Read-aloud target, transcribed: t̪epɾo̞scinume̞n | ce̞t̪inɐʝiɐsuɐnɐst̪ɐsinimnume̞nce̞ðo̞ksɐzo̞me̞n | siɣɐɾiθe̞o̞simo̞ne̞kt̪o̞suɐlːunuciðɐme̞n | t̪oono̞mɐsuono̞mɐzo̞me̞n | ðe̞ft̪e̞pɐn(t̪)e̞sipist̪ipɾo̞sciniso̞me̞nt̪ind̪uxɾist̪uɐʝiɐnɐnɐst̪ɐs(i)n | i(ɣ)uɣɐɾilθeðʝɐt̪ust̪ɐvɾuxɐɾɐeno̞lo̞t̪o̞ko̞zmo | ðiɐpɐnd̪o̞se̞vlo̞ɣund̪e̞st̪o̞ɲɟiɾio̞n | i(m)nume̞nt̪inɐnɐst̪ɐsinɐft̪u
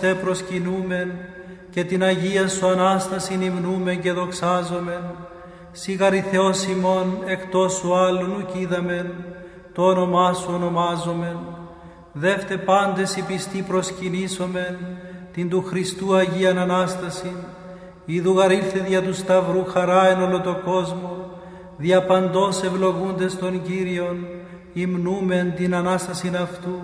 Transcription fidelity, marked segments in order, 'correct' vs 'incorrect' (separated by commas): incorrect, correct, incorrect, correct